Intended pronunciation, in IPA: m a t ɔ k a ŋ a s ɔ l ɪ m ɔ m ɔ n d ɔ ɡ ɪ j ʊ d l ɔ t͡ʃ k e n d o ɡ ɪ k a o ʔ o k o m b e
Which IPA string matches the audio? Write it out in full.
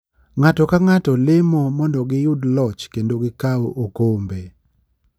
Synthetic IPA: ŋ a t ɔ k a ŋ a t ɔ l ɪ m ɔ m ɔ n d ɔ ɡ ɪ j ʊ d l ɔ t͡ʃ k e n d o ɡ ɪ k a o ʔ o k o m b e